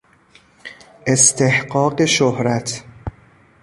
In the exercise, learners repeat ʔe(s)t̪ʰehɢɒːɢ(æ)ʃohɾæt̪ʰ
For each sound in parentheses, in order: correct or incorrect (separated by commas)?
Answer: correct, incorrect